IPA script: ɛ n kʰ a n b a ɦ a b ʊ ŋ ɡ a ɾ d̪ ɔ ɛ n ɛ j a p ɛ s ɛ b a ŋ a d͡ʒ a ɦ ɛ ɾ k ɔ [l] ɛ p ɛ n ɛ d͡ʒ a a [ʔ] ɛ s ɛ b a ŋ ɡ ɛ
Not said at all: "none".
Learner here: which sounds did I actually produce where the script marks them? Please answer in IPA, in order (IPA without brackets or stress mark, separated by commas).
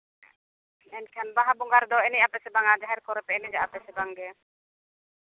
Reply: ɾ, p